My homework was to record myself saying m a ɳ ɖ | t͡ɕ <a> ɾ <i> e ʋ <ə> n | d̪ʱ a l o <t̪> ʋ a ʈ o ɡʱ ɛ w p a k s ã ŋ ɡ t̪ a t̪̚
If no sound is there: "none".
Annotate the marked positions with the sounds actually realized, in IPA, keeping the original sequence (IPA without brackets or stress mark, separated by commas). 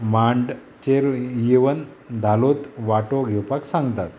e, j, ə, t̪